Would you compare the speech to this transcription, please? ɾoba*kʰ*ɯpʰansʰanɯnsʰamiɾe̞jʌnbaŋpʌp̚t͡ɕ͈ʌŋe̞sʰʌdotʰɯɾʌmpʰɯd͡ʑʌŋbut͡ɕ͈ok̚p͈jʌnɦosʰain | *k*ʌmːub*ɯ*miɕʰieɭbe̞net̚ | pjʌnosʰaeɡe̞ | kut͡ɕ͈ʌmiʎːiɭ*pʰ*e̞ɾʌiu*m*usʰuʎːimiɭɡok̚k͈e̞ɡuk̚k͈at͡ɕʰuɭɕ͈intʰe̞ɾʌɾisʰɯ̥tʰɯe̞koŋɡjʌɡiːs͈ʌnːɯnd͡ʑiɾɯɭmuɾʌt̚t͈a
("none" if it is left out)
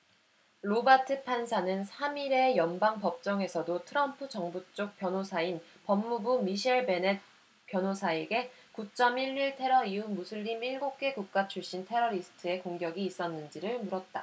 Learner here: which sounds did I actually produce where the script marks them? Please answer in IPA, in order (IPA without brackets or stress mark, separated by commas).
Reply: tʰ, p, u, tʰ, m